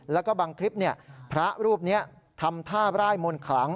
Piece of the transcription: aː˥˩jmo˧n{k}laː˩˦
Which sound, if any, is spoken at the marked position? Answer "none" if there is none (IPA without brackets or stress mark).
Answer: kʰ